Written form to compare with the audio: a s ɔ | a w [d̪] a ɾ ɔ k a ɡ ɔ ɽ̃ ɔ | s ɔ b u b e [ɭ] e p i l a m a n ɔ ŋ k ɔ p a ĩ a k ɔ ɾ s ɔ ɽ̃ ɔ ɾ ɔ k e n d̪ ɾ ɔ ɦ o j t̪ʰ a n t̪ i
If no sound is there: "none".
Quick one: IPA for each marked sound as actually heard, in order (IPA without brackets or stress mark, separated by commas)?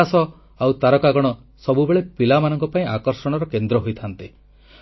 t̪, ɭ